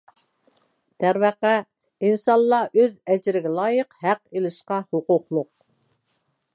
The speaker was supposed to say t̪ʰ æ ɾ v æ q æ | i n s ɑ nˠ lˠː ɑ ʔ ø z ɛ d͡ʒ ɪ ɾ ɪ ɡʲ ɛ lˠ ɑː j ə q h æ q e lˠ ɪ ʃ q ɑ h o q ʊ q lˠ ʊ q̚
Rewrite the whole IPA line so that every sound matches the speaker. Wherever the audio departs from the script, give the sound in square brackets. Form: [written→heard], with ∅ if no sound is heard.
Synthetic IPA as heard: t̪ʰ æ ɾ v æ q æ | i n s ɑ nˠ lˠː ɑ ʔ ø z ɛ d͡ʒ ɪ ɾ ɪ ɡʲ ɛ lˠ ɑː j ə q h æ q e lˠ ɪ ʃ q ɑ h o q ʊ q lˠ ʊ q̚